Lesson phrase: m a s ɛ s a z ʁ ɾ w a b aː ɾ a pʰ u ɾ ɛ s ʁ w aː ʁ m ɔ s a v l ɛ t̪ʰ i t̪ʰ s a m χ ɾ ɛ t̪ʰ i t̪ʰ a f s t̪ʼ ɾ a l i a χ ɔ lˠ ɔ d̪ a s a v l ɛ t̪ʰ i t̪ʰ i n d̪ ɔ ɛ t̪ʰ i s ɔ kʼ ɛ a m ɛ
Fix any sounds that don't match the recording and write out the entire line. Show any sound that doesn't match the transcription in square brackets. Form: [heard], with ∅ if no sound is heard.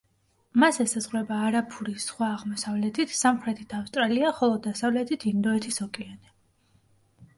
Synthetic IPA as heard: m a s ɛ s a z ʁ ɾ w [ɛ] b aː ɾ a pʰ u ɾ [i] s [χ] w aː ʁ m ɔ s a v l ɛ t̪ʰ i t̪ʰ s a m χ ɾ ɛ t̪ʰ i t̪ʰ a f s t̪ʼ ɾ a l i a χ ɔ lˠ ɔ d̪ a s a v l ɛ t̪ʰ i t̪ʰ i n d̪ ɔ ɛ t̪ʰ i s ɔ kʼ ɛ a [n] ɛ

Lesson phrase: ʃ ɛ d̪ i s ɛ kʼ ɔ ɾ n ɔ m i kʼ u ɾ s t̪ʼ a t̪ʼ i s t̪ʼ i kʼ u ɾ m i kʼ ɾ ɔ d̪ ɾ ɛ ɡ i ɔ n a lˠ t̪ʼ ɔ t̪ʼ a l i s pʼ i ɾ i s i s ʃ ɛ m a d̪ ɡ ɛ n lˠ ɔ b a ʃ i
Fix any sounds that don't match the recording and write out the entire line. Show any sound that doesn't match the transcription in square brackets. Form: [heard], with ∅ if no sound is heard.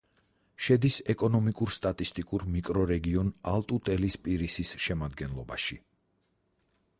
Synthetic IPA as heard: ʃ ɛ d̪ i s ɛ kʼ ɔ [∅] n ɔ m i kʼ u ɾ s t̪ʼ a t̪ʼ i s t̪ʼ i kʼ u ɾ m i kʼ ɾ ɔ [∅] ɾ ɛ ɡ i ɔ n a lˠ t̪ʼ [u] t̪ʼ [ɛ] l i s pʼ i ɾ i s i s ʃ ɛ m a d̪ ɡ ɛ n lˠ ɔ b a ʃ i

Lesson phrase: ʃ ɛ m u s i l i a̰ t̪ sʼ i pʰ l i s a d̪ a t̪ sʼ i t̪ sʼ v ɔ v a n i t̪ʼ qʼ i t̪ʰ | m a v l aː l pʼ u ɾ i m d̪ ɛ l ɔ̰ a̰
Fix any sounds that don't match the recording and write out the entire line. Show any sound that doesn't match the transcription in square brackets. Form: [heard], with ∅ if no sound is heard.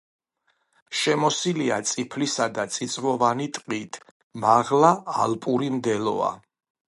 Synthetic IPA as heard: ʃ ɛ m [ɔ] s i l i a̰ t̪ sʼ i pʰ l i s a d̪ a t̪ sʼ i t̪ sʼ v ɔ v a n i t̪ʼ qʼ i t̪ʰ | m a [ʁ] l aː l pʼ u ɾ i m d̪ ɛ l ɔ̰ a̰

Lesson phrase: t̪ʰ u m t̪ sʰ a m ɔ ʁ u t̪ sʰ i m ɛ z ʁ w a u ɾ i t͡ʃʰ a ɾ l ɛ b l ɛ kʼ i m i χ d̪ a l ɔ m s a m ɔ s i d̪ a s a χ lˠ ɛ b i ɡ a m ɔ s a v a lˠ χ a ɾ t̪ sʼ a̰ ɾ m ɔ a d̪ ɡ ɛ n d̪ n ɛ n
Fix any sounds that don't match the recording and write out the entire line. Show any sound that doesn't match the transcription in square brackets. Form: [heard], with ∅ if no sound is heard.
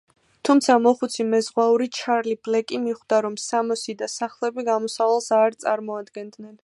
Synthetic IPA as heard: t̪ʰ u m t̪ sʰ a m ɔ [χ] u t̪ sʰ i m ɛ z ʁ w a u ɾ i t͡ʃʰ a ɾ l [i] b l ɛ kʼ i m i χ d̪ a [ɾ] ɔ m s a m ɔ s i d̪ a s a χ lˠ ɛ b i ɡ a m ɔ s a v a lˠ [s] a ɾ t̪ sʼ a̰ ɾ m ɔ a d̪ ɡ ɛ n d̪ n ɛ n

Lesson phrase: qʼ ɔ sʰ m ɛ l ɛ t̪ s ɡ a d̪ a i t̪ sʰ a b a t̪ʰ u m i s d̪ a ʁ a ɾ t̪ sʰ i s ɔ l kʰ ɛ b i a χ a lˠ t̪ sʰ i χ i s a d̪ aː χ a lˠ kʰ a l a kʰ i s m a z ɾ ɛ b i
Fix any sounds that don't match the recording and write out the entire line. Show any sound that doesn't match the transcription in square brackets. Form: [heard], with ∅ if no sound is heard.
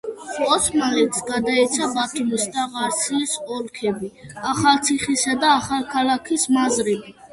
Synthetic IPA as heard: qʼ ɔ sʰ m [a] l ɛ t̪ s ɡ a d̪ a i t̪ sʰ a b a t̪ʰ u m i s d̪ a ʁ a ɾ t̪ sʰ i s ɔ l kʰ ɛ b i a χ a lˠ t̪ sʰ i χ i s a d̪ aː χ a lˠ kʰ a l a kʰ i s m a z ɾ ɛ b i

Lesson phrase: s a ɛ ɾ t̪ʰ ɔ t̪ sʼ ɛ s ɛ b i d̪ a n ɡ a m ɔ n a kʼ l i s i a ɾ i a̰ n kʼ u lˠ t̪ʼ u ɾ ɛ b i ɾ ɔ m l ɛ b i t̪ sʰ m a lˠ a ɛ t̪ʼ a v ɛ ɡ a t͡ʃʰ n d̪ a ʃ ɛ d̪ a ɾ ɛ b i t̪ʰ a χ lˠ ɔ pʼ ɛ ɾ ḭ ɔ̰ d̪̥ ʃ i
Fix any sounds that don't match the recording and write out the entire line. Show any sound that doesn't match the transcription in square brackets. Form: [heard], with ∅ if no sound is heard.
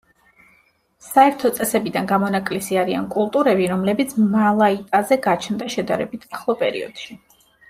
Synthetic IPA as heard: s a ɛ ɾ t̪ʰ ɔ t̪ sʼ ɛ s ɛ b i d̪ a n ɡ a m ɔ n a kʼ l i s i a ɾ i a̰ n kʼ u lˠ t̪ʼ u ɾ ɛ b i ɾ ɔ m l ɛ b i t̪ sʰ m a lˠ a [i] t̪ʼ a [z] ɛ ɡ a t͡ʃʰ n d̪ a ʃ ɛ d̪ a ɾ ɛ b i t̪ʰ a χ lˠ ɔ pʼ ɛ ɾ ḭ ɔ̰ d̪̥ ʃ i

